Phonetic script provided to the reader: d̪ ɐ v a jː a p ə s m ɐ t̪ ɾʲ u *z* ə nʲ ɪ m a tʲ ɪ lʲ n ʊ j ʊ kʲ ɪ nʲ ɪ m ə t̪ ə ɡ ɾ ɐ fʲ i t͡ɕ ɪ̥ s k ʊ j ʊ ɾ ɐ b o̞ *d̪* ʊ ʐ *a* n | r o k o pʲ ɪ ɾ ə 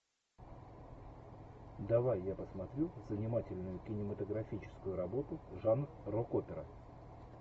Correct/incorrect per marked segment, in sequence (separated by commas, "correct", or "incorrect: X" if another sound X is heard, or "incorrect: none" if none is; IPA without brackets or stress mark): correct, incorrect: t̪, correct